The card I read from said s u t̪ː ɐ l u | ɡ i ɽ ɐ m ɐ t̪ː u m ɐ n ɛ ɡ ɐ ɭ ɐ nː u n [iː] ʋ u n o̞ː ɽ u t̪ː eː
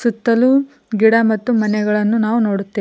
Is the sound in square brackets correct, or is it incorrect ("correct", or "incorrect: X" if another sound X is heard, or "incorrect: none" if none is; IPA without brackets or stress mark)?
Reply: incorrect: aː